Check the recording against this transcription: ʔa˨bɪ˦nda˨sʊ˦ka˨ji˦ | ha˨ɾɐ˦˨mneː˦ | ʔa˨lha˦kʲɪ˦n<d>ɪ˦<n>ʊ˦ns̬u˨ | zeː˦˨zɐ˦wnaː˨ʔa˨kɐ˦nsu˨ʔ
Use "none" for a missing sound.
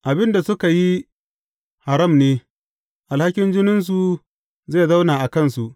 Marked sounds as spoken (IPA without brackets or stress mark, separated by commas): d͡ʒ, n